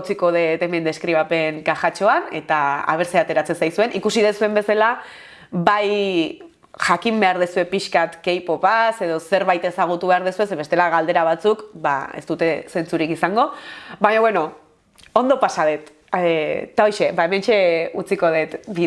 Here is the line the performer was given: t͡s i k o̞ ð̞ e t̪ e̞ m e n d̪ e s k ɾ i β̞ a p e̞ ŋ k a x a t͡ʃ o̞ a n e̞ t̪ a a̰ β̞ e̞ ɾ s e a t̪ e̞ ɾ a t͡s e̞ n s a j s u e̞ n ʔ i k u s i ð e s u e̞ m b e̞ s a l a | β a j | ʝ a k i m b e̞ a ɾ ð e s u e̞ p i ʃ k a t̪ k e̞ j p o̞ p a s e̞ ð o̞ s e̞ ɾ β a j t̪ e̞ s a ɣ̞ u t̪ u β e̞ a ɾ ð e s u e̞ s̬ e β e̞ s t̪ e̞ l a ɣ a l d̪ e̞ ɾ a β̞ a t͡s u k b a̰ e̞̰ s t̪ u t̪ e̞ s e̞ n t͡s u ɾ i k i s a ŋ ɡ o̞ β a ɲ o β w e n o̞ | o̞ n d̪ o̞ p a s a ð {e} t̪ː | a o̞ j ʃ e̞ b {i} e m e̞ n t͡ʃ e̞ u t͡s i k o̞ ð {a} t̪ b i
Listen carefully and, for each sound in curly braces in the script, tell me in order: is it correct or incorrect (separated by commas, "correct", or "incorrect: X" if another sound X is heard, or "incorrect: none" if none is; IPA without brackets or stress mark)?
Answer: correct, incorrect: a, incorrect: e